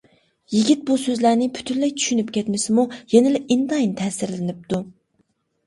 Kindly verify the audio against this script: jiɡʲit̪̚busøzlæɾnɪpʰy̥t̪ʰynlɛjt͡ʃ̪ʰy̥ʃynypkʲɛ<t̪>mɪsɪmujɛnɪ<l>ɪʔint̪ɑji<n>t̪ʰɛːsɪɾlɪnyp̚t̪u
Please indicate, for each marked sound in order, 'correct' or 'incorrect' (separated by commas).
correct, correct, correct